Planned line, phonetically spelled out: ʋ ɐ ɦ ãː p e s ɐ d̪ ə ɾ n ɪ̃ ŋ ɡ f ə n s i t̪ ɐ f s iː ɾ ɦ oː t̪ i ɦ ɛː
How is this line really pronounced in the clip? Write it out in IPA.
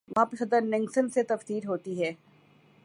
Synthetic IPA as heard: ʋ ɐ ɦ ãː p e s ɐ d̪ ə ɾ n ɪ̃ ŋ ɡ s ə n s e t̪ ɐ f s iː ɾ ɦ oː t̪ i ɦ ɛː